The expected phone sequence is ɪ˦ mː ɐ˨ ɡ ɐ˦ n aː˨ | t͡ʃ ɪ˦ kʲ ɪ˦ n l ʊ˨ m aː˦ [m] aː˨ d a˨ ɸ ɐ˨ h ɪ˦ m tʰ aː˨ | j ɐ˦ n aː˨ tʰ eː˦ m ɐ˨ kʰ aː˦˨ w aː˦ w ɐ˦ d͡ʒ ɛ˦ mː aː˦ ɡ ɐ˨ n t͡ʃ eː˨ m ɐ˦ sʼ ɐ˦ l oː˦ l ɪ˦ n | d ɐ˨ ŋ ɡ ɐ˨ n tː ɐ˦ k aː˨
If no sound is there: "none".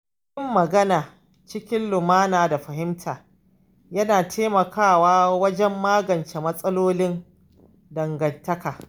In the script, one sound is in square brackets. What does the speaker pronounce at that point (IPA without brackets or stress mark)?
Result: n